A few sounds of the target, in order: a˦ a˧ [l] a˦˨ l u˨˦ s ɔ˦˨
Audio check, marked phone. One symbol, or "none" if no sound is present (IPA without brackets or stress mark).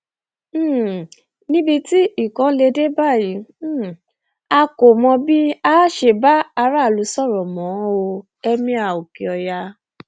ɾ